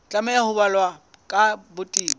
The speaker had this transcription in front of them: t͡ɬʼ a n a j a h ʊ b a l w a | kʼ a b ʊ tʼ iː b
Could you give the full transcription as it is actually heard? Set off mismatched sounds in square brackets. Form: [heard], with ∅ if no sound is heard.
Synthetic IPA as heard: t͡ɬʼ a [m] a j a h ʊ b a l w a | kʼ a b ʊ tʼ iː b